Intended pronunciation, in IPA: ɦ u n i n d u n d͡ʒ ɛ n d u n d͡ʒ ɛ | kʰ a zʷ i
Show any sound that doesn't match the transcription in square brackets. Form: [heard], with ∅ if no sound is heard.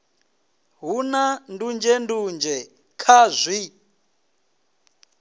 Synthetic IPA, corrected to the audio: ɦ u n [a] n d u n d͡ʒ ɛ n d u n d͡ʒ ɛ | kʰ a zʷ i